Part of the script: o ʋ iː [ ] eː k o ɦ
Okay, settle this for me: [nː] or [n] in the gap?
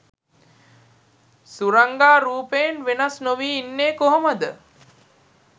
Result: nː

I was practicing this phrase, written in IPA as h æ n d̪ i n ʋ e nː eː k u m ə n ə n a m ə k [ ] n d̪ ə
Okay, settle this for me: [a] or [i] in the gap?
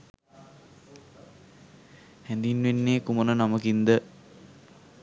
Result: i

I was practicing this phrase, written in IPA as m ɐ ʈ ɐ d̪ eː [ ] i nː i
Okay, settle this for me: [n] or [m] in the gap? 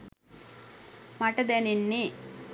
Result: n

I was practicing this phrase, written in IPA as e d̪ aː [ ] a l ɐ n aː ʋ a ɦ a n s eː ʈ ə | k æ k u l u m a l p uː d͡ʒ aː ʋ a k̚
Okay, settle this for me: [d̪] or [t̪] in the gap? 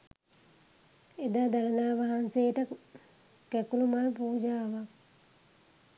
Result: d̪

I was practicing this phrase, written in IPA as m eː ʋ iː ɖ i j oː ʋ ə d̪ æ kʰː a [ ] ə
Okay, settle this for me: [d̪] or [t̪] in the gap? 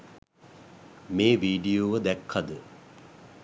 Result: d̪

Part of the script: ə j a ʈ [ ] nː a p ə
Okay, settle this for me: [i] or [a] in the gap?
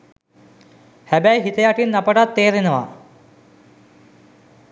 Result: i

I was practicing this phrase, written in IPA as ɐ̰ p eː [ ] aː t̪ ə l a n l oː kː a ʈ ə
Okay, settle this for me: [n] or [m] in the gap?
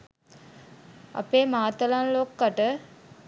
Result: m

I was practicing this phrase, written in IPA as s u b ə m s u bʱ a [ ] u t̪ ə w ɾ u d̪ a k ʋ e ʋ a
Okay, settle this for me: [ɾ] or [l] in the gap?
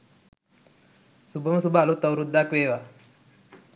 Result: l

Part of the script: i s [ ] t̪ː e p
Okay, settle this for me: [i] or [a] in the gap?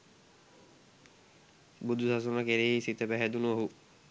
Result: i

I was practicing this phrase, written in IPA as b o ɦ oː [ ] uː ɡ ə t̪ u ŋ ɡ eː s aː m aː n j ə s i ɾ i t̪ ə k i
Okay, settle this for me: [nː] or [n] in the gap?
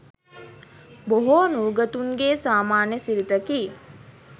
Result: n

